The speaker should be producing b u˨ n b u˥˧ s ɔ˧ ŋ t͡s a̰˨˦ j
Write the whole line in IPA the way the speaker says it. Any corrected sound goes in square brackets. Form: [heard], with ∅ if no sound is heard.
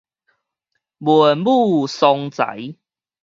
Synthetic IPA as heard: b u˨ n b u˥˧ s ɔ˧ ŋ t͡s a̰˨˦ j

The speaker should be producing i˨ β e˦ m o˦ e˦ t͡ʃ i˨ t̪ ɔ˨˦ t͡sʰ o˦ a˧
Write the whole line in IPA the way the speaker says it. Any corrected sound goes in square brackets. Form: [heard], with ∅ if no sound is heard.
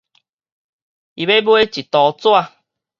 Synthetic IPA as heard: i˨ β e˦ [b] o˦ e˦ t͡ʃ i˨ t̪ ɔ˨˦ [t͡s] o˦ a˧

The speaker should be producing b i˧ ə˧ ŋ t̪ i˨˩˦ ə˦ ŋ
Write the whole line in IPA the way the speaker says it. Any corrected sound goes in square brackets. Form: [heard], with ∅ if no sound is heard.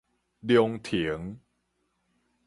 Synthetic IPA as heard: [d] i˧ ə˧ ŋ [t̪ʰ] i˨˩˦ ə˦ ŋ

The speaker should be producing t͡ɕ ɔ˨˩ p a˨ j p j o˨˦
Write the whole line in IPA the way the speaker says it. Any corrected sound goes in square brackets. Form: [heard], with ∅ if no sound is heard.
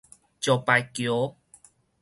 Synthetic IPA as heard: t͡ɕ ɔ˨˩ p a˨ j [k] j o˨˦

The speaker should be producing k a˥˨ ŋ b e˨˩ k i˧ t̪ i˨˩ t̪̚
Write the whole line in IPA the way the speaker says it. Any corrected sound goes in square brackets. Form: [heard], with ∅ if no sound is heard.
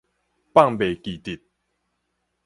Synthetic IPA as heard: [p] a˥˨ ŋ b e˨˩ k [i˨˩] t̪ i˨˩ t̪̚

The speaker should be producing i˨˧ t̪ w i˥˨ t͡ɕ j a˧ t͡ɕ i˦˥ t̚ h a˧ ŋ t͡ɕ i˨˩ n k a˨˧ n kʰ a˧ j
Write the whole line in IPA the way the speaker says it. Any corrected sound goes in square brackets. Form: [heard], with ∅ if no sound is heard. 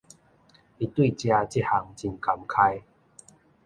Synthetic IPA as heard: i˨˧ t̪ w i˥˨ t͡ɕ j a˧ t͡ɕ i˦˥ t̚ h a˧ ŋ t͡ɕ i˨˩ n k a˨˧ [m] kʰ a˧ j

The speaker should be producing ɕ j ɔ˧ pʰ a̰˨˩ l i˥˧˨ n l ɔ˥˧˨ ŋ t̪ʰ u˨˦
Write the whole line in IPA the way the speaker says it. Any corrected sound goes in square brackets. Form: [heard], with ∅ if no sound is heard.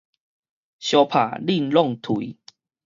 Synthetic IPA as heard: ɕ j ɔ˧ pʰ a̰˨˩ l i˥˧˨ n l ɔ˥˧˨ ŋ t̪ʰ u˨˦

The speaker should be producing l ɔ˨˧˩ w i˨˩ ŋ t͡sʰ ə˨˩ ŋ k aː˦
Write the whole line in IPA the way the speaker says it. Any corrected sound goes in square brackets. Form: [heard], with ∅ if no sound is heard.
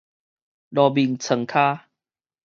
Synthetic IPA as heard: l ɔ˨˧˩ [b] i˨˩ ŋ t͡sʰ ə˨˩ ŋ [kʰ] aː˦

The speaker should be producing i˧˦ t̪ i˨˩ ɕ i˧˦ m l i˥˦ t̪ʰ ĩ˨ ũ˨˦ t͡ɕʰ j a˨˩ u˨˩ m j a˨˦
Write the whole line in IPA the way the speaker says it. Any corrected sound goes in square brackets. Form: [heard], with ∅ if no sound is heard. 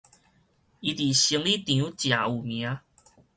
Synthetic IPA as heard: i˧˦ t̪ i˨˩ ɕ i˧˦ [ŋ] l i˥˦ [t̪] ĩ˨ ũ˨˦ [t͡ɕ] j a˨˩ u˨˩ m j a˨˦

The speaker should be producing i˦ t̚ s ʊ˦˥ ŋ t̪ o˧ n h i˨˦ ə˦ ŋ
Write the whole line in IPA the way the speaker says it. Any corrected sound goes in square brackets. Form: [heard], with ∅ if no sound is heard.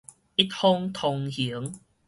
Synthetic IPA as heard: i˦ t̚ [h] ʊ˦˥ ŋ [t̪ʰ] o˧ [ŋ] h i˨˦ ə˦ ŋ

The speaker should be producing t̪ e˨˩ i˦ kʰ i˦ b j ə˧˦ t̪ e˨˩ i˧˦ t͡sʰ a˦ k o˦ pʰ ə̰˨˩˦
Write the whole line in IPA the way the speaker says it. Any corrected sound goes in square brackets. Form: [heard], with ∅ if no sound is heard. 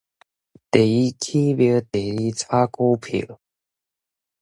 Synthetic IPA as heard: t̪ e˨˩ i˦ kʰ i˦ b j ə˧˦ t̪ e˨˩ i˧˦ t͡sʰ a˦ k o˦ pʰ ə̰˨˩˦

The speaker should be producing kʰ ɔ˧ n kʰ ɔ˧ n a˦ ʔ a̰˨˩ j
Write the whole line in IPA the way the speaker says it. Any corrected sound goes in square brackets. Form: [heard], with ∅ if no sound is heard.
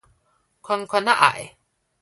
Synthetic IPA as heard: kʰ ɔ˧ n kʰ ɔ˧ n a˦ ʔ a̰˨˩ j

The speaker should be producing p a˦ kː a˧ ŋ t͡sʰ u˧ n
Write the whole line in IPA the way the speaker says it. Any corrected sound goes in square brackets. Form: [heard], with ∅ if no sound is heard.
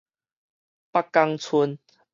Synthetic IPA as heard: p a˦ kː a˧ ŋ t͡sʰ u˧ n

